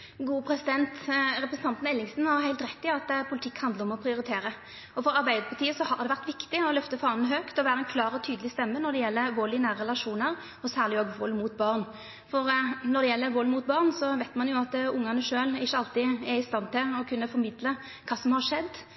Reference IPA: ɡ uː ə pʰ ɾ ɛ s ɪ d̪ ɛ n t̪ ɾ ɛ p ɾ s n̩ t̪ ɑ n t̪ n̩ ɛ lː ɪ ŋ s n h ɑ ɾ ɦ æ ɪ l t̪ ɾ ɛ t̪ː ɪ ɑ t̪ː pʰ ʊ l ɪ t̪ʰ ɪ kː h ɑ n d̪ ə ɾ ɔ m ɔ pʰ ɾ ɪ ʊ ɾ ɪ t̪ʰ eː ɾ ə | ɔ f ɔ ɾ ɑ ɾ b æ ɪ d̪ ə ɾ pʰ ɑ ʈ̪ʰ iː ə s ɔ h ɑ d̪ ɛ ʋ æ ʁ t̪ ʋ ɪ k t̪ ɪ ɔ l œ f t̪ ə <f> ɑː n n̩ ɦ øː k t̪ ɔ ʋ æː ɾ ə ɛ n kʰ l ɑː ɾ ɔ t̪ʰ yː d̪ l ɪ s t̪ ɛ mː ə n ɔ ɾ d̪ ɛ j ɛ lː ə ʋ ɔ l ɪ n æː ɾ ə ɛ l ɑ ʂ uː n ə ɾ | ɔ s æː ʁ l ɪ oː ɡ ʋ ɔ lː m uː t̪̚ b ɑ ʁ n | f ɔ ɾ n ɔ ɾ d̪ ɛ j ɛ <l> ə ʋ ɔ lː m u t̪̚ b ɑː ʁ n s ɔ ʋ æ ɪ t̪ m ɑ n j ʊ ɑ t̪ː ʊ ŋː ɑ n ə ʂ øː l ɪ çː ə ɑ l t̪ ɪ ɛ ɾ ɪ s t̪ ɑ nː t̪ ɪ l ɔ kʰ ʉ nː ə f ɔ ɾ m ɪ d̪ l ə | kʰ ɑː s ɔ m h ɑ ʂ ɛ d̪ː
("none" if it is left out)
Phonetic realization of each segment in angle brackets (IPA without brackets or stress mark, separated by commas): f, lː